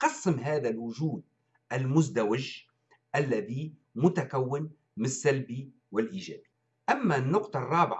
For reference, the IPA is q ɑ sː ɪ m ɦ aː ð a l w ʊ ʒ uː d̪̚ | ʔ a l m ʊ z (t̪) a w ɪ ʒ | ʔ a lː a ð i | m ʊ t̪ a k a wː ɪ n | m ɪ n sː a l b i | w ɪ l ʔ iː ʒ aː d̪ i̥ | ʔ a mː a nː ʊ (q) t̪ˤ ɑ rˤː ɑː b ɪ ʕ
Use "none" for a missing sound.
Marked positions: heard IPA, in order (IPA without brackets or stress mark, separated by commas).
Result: d̪, q